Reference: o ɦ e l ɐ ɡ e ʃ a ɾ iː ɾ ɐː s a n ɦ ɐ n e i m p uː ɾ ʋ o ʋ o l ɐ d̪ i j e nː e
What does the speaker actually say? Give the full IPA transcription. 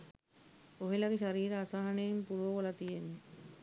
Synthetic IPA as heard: o ɦ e l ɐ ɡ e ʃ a ɾ iː ɾ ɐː s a ɦ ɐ n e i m p u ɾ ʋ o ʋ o l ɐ t̪ i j e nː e

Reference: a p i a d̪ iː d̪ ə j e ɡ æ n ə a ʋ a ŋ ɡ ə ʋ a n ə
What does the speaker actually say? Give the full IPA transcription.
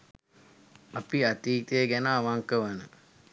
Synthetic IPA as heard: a p i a t̪ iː t̪ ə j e ɡ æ n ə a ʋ a ŋ k ə ʋ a n ə

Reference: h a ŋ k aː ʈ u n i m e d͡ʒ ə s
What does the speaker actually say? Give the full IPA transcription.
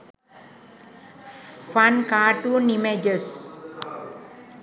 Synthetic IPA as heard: f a n k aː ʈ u n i m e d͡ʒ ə s

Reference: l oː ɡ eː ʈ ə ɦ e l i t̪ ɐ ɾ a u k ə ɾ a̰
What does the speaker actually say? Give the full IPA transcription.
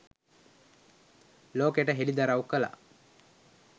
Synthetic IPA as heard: l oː k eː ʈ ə ɦ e l i d̪ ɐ ɾ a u k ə l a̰

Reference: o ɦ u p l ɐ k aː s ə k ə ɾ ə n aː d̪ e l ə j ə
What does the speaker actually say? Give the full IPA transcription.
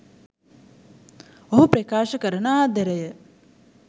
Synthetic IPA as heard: o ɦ u p ɾ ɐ k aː ʃ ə k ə ɾ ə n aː d̪ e ɾ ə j ə

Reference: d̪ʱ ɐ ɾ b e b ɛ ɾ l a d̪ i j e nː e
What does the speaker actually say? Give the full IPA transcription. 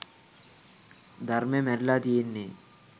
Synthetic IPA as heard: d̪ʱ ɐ ɾ m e m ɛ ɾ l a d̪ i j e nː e

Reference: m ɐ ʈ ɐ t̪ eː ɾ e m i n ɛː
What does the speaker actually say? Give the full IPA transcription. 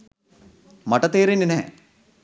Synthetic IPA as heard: m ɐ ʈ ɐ t̪ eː ɾ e n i n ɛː

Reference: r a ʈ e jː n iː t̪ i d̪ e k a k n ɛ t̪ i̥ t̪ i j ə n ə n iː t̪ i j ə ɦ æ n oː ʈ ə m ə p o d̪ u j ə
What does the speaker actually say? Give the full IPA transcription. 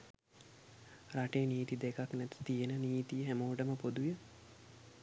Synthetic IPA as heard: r a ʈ e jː n iː t̪ i d̪ e k a k n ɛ t̪ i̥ t̪ i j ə n ə n iː t̪ i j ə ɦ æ m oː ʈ ə m ə p o d̪ u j ə

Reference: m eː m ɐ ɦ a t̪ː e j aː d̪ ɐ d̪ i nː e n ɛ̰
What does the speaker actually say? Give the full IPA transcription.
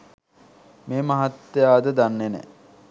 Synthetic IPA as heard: m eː m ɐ ɦ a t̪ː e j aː d̪ ə d̪ a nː e n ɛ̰

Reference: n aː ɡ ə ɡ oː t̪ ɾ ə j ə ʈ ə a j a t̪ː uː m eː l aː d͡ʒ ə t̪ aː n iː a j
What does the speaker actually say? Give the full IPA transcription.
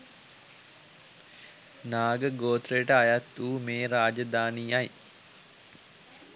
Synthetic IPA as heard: n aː ɡ ə ɡ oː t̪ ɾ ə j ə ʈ ə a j a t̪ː uː m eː ɾ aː d͡ʒ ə d̪ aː n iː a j

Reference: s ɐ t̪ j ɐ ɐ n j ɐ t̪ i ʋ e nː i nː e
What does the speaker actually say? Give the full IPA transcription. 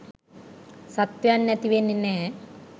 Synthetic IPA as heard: s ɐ t̪ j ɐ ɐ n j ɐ t̪ i ʋ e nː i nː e

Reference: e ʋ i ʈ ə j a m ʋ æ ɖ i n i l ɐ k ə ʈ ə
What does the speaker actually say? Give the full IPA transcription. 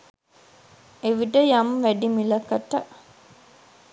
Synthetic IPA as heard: e ʋ i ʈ ə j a m ʋ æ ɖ i m i l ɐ k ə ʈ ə

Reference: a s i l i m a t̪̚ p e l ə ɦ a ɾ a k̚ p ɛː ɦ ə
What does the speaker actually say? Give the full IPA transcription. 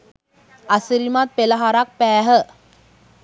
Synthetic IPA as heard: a s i ɾ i m a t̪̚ p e l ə ɦ a ɾ a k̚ p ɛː ɦ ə

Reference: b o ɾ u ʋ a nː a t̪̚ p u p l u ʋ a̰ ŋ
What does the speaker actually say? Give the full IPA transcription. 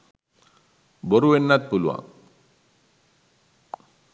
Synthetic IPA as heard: b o ɾ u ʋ e nː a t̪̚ p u l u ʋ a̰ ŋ

